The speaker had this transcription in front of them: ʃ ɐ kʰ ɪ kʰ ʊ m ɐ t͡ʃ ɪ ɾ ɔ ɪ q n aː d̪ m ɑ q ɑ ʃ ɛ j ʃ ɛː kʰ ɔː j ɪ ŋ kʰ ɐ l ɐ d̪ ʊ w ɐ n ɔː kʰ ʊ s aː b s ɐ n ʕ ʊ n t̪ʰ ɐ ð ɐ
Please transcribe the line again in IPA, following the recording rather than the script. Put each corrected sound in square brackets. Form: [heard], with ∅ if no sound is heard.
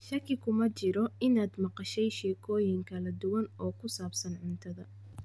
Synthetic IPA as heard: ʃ ɐ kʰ ɪ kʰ ʊ m ɐ t͡ʃ ɪ ɾ ɔ ɪ [∅] n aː d̪ m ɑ q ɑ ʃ ɛ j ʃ ɛː kʰ ɔː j ɪ ŋ kʰ ɐ l ɐ d̪ ʊ w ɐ n ɔː kʰ ʊ s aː b s ɐ n ʕ ʊ n t̪ʰ ɐ ð ɐ